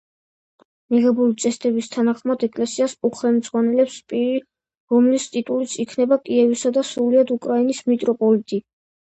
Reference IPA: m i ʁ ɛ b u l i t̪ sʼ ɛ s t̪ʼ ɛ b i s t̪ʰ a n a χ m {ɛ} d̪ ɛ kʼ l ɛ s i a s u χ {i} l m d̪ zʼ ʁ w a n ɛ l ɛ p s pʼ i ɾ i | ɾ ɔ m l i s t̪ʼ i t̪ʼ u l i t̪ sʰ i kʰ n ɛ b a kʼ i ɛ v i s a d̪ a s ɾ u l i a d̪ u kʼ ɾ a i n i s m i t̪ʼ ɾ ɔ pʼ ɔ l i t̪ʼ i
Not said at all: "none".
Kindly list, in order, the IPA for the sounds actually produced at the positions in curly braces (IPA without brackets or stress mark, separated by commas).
a, ɛ